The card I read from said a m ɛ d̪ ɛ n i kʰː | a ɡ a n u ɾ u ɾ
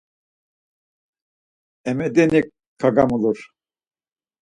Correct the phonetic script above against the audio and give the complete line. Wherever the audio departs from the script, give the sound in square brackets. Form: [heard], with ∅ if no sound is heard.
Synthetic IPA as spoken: [ɛ] m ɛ d̪ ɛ n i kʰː | a ɡ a [m] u [l] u ɾ